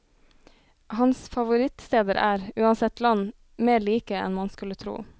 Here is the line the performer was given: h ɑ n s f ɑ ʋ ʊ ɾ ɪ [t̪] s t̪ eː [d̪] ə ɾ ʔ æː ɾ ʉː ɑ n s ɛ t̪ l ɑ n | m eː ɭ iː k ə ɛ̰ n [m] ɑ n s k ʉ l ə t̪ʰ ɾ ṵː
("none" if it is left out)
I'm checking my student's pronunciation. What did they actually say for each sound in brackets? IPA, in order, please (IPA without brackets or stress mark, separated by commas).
t̪, d̪, m